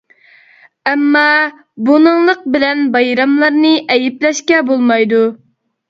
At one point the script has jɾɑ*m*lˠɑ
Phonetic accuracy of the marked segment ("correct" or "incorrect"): correct